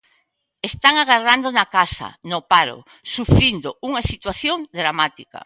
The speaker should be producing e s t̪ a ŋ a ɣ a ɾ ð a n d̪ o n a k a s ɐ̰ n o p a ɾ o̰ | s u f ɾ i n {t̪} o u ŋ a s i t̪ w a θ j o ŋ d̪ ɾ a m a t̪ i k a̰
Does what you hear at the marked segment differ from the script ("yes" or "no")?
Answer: yes